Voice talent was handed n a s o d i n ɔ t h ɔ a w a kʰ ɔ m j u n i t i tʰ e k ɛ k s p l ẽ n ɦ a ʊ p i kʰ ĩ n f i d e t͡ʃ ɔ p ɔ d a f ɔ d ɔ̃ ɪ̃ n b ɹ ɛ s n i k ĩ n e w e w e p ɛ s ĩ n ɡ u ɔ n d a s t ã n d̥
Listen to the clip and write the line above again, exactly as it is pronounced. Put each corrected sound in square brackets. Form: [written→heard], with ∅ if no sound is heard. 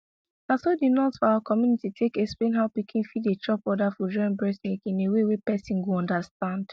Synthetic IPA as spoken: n a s o d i n ɔ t [h→f] ɔ a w a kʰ ɔ m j u n i t i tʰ e k ɛ k s p l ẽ n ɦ a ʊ p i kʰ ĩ n f i d e t͡ʃ ɔ p ɔ d a f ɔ [d→d͡ʒ] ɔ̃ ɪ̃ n b ɹ ɛ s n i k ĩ n e w e w e p ɛ s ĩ n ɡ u [ɔ→ɔ̃] n d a s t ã n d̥